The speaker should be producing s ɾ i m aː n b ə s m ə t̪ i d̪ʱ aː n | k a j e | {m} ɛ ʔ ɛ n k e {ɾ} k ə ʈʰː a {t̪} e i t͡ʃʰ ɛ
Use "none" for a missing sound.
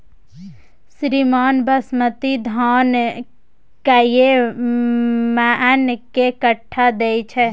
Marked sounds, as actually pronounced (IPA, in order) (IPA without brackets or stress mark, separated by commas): m, none, d̪